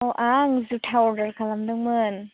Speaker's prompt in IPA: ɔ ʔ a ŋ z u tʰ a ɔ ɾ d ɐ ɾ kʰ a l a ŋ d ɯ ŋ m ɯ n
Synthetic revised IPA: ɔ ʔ a ŋ z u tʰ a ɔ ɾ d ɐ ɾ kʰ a l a m d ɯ ŋ m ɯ n